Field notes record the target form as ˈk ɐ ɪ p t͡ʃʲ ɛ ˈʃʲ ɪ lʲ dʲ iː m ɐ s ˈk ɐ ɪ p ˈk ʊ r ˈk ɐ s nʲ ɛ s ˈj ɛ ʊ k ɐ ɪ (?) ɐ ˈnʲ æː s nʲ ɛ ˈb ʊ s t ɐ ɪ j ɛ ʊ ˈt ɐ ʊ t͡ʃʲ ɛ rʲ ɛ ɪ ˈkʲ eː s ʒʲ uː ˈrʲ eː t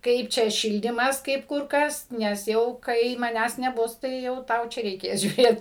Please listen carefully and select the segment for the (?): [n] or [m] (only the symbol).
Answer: m